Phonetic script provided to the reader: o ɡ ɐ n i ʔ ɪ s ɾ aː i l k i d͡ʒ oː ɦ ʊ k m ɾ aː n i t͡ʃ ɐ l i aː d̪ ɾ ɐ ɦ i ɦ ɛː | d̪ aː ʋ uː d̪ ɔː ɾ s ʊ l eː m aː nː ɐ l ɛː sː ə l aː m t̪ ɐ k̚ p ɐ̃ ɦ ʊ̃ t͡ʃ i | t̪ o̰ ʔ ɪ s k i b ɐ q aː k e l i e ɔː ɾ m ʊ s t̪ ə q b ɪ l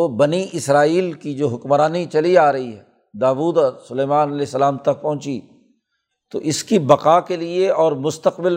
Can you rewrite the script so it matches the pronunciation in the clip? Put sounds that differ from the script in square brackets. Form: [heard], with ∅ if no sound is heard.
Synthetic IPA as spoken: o [b] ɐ n i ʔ ɪ s ɾ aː [iː] l k i d͡ʒ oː ɦ ʊ k m ɾ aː n i t͡ʃ ɐ l i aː [∅] ɾ ɐ ɦ i ɦ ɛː | d̪ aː ʋ uː d̪ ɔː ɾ s ʊ l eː m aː [n] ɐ l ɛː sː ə l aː m t̪ ɐ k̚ p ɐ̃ ɦ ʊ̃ t͡ʃ i | t̪ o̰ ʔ ɪ s k i b ɐ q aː k e l i e ɔː ɾ m ʊ s t̪ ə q b ɪ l